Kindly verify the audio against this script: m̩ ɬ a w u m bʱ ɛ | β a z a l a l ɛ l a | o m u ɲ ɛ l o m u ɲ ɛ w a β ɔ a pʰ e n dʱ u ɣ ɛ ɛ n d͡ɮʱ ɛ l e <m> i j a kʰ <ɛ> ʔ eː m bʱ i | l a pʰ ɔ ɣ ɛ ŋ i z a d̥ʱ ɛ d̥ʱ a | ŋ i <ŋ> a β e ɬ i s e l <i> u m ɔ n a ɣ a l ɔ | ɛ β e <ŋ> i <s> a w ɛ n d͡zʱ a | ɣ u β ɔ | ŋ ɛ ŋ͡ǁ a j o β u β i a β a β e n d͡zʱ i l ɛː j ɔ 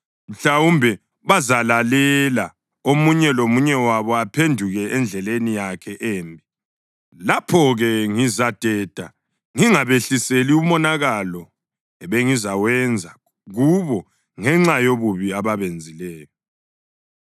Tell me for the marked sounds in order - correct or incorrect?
incorrect, correct, correct, correct, correct, incorrect

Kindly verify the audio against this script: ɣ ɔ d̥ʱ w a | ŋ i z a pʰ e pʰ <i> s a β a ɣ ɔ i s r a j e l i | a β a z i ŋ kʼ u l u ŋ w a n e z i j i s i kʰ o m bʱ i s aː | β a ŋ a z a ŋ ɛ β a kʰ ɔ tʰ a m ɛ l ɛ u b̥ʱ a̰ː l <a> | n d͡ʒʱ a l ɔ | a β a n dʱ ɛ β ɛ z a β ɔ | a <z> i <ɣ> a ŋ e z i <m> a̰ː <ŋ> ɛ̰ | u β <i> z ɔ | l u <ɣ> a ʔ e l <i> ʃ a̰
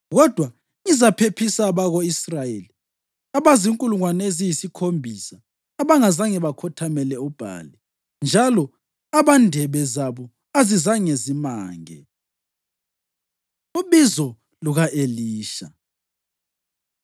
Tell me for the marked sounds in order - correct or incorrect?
correct, incorrect, correct, incorrect, correct, correct, correct, correct, incorrect

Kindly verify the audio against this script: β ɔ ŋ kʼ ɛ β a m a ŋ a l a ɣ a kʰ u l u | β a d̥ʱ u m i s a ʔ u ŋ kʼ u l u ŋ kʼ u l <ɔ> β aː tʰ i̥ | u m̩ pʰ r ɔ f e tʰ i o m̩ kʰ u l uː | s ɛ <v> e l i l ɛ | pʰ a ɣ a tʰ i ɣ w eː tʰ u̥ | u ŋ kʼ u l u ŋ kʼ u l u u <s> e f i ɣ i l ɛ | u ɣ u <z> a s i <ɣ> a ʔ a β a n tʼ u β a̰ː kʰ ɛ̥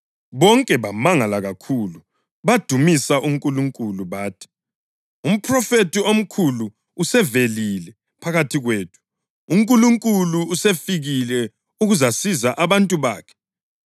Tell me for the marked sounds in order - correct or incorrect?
incorrect, correct, correct, correct, incorrect

